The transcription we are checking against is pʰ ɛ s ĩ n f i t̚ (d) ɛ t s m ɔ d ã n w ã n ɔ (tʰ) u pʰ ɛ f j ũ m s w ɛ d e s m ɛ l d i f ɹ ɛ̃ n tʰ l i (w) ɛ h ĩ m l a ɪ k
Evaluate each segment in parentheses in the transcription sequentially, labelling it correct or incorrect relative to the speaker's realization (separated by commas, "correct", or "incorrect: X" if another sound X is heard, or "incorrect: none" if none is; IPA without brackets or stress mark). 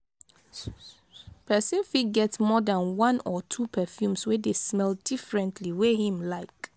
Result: incorrect: ɡ, correct, correct